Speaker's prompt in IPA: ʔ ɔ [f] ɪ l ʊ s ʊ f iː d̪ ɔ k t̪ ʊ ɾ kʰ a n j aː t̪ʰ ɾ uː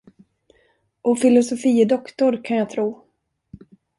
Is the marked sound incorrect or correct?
correct